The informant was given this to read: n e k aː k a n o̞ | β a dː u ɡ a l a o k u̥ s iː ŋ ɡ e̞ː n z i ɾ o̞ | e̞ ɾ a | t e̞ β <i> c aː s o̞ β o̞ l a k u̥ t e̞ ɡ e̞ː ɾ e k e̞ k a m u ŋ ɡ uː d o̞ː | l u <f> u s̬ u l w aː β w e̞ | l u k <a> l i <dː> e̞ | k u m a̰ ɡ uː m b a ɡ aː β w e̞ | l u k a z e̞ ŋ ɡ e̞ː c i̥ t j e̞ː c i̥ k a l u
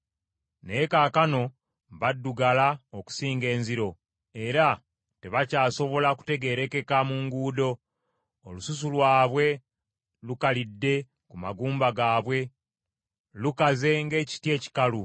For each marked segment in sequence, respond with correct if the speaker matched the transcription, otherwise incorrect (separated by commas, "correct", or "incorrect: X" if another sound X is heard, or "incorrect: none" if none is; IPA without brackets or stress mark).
incorrect: a, incorrect: s, correct, correct